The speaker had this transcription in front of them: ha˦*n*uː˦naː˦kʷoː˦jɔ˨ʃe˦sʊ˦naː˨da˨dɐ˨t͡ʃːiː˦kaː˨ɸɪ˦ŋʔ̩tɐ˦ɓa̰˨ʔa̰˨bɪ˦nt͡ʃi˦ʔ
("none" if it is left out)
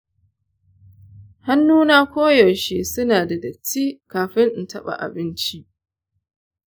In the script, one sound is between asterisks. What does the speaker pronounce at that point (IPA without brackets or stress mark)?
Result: nː